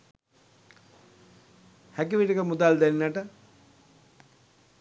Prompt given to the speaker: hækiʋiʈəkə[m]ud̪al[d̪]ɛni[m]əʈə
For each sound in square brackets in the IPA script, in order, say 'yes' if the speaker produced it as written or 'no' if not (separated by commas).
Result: yes, yes, no